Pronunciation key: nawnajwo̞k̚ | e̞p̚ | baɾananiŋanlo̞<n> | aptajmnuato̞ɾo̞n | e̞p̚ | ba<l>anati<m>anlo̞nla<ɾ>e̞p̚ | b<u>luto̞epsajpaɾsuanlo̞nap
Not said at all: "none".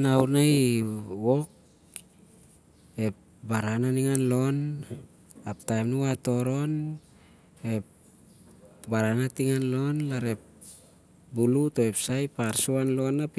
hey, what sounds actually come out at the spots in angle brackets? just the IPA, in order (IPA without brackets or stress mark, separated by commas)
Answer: n, ɾ, ŋ, ɾ, u